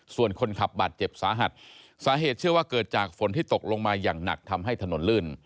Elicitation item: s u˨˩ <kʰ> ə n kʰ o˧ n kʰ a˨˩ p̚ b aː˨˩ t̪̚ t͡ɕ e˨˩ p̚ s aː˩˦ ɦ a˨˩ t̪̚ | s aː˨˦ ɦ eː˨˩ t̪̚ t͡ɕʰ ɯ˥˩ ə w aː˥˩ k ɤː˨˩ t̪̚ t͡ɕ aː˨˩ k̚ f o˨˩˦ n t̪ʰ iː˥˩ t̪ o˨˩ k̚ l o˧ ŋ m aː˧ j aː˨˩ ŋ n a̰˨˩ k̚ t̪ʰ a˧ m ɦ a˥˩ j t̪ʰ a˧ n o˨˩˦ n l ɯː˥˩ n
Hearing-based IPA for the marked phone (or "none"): none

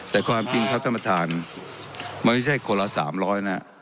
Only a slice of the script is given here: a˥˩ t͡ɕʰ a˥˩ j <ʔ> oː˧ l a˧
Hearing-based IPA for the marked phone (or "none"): k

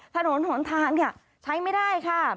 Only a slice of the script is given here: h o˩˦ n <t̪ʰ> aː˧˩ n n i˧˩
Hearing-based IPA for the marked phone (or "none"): t̪ʰ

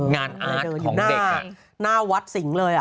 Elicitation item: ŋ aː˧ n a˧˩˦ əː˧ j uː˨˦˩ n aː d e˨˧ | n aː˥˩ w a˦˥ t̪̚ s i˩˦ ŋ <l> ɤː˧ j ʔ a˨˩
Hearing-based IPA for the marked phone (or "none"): l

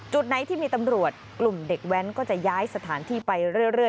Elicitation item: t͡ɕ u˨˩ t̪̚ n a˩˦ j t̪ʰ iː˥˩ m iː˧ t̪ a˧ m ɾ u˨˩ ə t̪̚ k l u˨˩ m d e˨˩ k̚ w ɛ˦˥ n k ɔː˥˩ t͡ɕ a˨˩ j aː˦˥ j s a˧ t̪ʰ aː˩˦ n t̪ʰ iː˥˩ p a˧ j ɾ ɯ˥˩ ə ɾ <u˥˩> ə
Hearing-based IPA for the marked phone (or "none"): ɯ˥˩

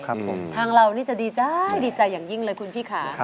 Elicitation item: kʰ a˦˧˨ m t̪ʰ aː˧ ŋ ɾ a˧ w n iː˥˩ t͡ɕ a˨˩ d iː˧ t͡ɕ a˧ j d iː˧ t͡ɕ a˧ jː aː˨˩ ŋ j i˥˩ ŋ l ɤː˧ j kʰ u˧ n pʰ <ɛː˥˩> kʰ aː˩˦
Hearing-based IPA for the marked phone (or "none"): iː˥˩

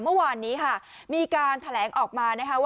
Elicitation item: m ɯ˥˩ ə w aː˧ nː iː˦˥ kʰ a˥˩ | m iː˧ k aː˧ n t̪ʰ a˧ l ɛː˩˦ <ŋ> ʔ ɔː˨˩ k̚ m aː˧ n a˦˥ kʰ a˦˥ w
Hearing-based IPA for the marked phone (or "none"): ŋ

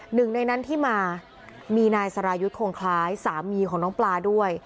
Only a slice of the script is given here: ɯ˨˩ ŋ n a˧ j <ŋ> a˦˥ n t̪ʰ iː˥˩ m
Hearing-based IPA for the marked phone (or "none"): n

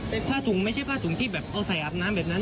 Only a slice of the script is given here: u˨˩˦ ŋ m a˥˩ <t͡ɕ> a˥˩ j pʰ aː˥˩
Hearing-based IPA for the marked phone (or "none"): t͡ɕʰ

